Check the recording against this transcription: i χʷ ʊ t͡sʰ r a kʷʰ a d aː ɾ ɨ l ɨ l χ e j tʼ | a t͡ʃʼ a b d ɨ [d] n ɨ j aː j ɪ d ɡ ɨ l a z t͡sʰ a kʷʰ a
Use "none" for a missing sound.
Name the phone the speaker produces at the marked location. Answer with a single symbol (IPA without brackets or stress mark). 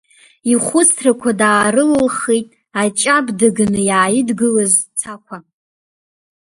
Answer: ɡ